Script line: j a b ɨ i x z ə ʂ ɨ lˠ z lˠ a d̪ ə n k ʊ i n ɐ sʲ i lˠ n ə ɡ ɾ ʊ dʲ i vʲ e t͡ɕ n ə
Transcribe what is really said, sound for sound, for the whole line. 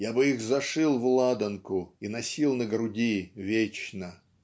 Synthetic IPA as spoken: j a b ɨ i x z ɐ ʂ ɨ lˠ v lˠ a d̪ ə n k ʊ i n ɐ sʲ i lˠ n ə ɡ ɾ ʊ dʲ i vʲ e t͡ɕ n ə